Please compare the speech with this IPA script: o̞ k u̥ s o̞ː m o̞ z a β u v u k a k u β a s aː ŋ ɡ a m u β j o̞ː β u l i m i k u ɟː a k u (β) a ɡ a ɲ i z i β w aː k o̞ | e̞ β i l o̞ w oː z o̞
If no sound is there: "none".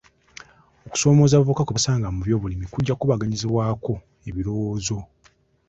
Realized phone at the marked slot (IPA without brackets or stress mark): β